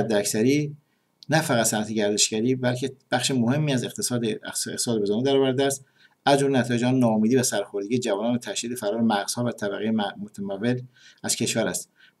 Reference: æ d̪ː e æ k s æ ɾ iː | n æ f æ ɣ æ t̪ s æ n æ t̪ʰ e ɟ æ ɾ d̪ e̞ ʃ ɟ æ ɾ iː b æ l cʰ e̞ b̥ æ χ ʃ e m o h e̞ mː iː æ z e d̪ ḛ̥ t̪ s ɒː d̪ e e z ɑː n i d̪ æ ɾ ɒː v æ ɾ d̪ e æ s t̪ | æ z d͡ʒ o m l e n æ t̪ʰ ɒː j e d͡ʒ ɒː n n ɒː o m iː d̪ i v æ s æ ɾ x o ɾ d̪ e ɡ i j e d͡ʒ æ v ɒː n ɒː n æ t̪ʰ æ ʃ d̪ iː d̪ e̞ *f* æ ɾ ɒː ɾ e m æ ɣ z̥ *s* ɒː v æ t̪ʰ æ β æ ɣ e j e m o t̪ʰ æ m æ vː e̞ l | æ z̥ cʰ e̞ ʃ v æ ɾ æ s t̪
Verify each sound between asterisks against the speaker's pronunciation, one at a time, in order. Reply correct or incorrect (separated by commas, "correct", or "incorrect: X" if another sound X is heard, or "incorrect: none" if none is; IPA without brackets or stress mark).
correct, incorrect: h